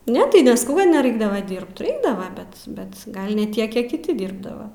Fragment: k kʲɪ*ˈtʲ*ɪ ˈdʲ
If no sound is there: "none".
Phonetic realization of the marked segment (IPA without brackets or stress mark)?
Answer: tʲ